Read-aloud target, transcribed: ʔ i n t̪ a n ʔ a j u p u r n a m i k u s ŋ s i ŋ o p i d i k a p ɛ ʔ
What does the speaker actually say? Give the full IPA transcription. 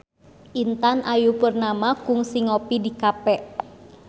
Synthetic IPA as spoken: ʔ i n t̪ a n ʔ a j u p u r n a m a k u ŋ s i ŋ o p i d i k a p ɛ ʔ